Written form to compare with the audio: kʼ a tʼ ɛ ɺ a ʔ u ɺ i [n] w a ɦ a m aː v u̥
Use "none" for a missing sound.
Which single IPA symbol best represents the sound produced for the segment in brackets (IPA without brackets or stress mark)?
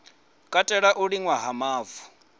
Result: ŋ